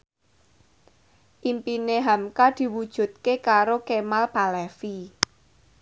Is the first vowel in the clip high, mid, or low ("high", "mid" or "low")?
high